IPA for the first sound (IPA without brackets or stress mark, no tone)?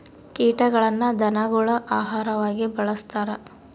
k